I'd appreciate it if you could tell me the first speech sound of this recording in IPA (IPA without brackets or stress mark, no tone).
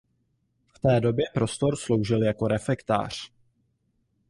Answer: f